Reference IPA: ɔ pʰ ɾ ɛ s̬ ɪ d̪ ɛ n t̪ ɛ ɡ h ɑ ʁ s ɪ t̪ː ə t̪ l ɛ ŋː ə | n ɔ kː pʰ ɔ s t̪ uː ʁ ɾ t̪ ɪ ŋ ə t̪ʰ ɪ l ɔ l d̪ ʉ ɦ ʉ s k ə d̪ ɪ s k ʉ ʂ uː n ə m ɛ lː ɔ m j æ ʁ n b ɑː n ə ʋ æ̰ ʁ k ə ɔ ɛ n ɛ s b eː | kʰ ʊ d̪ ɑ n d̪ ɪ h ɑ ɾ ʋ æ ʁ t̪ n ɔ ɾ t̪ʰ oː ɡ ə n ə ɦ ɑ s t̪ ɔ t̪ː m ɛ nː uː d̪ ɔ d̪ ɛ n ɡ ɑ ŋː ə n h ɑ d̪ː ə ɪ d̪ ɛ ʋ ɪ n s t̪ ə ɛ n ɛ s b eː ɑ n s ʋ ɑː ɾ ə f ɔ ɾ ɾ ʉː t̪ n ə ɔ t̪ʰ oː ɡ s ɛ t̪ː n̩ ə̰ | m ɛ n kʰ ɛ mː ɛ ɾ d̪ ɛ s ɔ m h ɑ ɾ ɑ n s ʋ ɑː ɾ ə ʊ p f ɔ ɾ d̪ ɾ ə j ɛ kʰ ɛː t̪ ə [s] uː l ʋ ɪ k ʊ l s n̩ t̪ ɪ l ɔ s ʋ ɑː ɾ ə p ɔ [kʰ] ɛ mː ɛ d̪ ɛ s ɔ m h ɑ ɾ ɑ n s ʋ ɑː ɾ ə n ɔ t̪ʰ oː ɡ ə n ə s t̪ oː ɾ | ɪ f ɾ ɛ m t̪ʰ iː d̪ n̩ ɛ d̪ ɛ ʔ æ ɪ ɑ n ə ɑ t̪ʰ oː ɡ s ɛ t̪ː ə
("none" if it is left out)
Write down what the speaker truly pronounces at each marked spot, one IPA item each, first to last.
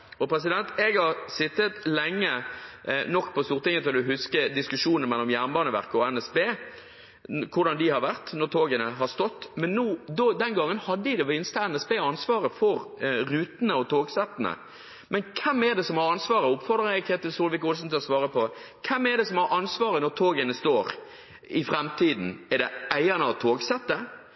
s, kʰ

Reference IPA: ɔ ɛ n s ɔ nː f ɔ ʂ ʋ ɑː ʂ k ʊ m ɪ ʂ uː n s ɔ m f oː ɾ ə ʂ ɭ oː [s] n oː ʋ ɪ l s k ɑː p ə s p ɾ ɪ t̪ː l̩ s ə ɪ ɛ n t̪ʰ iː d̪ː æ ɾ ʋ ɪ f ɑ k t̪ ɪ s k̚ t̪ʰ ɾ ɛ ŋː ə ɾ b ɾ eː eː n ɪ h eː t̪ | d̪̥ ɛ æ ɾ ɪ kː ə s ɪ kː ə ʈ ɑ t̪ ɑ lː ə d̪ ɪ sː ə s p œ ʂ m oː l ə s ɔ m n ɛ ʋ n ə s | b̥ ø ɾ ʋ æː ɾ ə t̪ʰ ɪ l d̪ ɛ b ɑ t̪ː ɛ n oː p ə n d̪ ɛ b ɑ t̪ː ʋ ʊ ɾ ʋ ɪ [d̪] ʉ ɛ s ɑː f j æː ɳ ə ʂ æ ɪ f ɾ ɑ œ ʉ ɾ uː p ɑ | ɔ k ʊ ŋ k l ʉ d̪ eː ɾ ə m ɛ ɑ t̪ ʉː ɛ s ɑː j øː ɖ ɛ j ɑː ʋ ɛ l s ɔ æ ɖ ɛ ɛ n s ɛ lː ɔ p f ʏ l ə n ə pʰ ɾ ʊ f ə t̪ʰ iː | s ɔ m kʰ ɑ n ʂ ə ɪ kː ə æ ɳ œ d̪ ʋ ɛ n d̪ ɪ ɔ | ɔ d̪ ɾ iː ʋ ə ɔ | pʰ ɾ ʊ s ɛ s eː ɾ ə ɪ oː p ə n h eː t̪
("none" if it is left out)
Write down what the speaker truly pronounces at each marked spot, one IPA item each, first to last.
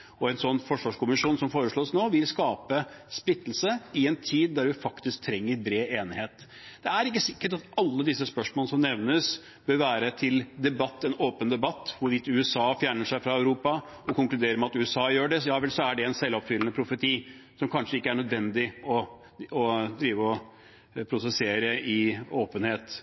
s, t̪

